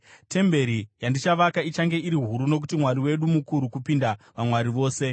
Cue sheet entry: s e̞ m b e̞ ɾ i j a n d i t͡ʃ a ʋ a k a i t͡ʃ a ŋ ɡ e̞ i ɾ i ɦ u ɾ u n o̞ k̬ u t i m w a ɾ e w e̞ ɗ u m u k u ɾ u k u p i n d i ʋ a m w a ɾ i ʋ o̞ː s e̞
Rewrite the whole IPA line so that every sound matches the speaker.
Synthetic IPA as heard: t e̞ m b e̞ ɾ i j a n d i t͡ʃ a ʋ a k a i t͡ʃ a ŋ ɡ e̞ i ɾ i ɦ u ɾ u n o̞ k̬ u t i m w a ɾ i w e̞ ɗ u m u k u ɾ u k u p i n d a ʋ a m w a ɾ i ʋ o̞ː s e̞